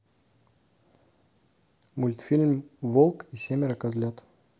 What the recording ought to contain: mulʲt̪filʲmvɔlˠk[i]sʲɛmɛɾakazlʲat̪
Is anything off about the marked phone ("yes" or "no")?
no